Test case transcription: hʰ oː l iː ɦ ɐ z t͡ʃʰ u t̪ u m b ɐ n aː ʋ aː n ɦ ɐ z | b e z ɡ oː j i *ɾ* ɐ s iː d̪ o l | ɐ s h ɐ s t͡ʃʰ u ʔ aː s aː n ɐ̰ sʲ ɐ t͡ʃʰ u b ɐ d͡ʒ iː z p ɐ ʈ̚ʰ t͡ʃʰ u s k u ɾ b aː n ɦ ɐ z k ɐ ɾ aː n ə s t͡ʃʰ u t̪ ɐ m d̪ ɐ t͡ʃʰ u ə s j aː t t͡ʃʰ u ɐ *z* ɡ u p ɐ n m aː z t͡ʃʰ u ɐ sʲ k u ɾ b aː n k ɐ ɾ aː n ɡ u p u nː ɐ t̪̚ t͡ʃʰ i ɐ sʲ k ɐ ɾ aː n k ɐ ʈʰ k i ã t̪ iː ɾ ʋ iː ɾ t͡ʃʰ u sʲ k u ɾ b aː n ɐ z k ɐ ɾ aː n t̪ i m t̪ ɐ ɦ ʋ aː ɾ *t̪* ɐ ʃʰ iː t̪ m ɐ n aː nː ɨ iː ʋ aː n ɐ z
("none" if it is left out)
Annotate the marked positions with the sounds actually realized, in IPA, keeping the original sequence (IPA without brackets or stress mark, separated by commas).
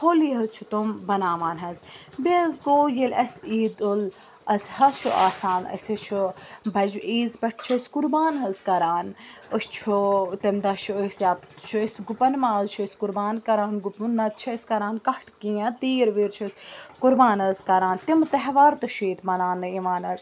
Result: l, s, t̪